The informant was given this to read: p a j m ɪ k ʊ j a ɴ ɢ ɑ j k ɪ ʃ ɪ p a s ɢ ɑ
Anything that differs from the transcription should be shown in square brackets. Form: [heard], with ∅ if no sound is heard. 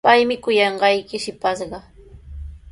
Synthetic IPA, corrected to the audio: p a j m ɪ k ʊ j [ɑ] ɴ ɢ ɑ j k ɪ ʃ ɪ p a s ɢ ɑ